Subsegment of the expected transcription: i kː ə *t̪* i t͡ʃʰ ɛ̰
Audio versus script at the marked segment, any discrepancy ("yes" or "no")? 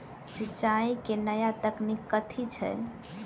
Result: yes